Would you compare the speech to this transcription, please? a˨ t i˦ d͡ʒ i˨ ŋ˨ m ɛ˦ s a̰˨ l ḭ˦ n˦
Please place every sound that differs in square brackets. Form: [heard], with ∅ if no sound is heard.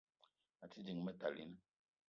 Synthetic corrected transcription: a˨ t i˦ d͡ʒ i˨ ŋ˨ m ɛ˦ [t] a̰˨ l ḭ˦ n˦